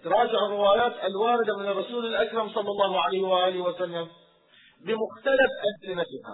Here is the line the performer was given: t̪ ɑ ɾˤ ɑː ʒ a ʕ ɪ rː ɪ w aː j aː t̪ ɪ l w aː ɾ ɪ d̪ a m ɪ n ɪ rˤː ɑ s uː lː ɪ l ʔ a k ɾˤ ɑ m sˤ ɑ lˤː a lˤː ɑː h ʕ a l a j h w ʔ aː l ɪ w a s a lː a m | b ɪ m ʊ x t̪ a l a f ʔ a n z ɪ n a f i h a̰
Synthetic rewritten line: t̪ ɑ ɾˤ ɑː d͡ʒ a ʕ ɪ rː ɪ w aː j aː t̪ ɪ l w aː ɾ ɪ d̪ a m ɪ n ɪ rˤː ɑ s uː l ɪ l ʔ a k ɾˤ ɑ m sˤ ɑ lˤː ɑ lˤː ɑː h ʕ a l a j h w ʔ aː l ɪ w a s a lː a m | b ɪ m ʊ x t̪ a l a f ʔ a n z ɪ n a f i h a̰